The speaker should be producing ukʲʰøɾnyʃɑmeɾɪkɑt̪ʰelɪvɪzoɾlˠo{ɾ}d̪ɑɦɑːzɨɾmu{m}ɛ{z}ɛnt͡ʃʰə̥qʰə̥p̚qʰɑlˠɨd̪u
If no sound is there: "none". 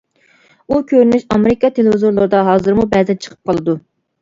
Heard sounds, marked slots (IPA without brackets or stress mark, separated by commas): ɾ, b, z